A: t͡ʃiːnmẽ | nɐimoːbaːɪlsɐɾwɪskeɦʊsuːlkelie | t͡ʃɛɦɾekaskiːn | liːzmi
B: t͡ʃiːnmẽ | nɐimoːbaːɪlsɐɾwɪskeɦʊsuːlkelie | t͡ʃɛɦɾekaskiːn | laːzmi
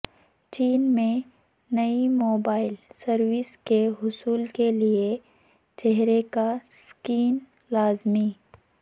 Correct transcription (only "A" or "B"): B